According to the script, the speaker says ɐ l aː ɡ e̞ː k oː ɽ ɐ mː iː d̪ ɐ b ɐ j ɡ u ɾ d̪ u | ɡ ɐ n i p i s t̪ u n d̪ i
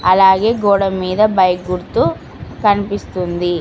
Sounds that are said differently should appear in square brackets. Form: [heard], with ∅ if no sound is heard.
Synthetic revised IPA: ɐ l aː ɡ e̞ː [ɡ] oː ɽ ɐ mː iː d̪ ɐ b ɐ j ɡ u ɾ [t̪] u | [k] ɐ n i p i s t̪ u n d̪ i